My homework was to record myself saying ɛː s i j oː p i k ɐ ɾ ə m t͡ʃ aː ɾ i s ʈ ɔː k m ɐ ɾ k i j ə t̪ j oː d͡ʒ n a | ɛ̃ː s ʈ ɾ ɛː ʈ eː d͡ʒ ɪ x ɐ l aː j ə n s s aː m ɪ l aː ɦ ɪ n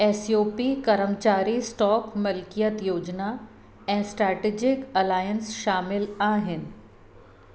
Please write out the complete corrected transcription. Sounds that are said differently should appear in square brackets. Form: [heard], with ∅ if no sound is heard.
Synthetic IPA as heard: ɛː s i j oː p i k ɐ ɾ ə m t͡ʃ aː ɾ i s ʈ ɔː k m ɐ [l] k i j ə t̪ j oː d͡ʒ n a | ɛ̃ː s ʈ ɾ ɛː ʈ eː d͡ʒ ɪ [k] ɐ l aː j ə n s [ʃ] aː m ɪ l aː ɦ ɪ n